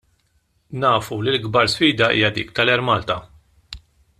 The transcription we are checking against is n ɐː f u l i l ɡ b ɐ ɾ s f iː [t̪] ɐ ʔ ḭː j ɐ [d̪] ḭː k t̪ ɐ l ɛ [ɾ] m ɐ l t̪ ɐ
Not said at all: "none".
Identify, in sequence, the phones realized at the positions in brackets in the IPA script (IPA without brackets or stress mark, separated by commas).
d̪, d̪, ɾ